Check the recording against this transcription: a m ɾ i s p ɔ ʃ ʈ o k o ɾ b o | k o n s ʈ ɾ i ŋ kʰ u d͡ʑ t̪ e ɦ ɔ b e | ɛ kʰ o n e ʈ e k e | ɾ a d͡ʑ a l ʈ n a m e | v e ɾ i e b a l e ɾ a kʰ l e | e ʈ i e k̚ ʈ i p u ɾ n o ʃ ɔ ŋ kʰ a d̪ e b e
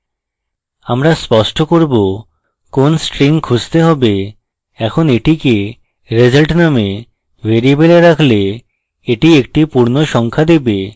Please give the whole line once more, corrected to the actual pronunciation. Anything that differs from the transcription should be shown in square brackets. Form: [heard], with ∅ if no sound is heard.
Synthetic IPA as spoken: a m ɾ [a] s p ɔ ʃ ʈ o k o ɾ b o | k o n s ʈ ɾ i ŋ kʰ u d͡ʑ t̪ e ɦ ɔ b e | ɛ kʰ o n e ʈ [i] k e | ɾ [e] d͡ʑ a l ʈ n a m e | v e ɾ i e b [e] l e ɾ a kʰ l e | e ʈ i e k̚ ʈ i p u ɾ n o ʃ ɔ ŋ kʰ a d̪ e b e

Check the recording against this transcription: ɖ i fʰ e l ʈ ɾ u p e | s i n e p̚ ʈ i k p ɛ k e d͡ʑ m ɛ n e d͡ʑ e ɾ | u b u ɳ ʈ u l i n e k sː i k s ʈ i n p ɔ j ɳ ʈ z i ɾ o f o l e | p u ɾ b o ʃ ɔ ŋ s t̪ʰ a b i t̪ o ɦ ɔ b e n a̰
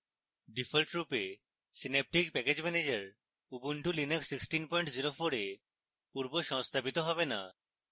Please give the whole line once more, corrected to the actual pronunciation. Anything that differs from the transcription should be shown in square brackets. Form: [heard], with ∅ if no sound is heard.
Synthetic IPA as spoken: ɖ i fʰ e l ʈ ɾ u p e | s i n e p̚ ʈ i k p ɛ k e d͡ʑ m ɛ n e d͡ʑ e ɾ | u b u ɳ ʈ u l i n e k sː i k s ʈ i n p ɔ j ɳ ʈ z i ɾ o f o [ɾ] e | p u ɾ b o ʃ ɔ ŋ s t̪ʰ a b i t̪ o ɦ ɔ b e n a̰

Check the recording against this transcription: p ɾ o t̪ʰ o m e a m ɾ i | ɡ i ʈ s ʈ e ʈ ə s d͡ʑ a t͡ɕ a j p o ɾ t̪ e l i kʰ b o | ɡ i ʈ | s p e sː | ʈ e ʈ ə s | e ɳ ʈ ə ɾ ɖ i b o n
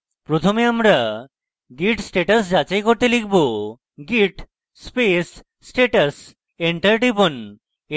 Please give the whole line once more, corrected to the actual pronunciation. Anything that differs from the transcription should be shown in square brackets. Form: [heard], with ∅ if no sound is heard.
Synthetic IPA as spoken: p ɾ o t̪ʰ o m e a m ɾ [a] | ɡ i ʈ s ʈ e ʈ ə s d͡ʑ a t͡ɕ a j [k] o ɾ t̪ e l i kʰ b o | ɡ i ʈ | s p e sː | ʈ e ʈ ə s | e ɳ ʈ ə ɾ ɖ i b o n

